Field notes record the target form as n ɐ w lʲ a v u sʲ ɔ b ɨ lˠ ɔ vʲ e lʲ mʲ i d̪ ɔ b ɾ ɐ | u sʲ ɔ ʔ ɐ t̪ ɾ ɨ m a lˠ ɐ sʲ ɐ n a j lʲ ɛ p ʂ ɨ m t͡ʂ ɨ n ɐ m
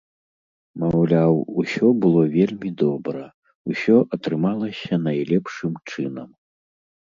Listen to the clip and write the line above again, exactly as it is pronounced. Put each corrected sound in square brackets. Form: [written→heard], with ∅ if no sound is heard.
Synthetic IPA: [n→m] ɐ w lʲ a [v→w] u sʲ ɔ b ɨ lˠ ɔ vʲ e lʲ mʲ i d̪ ɔ b ɾ ɐ | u sʲ ɔ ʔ ɐ t̪ ɾ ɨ m a lˠ ɐ sʲ ɐ n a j lʲ ɛ p ʂ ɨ m t͡ʂ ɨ n ɐ m